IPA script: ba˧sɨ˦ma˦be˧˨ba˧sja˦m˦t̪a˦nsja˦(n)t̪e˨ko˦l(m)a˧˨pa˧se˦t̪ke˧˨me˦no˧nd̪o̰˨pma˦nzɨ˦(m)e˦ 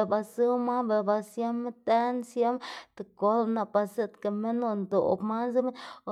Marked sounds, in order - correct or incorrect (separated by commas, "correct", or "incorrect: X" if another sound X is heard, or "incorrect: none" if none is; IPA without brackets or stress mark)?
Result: incorrect: m, incorrect: n, correct